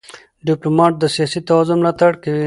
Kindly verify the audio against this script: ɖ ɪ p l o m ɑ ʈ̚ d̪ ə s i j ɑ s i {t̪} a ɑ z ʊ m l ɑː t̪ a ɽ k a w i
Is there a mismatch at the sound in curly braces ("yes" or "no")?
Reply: no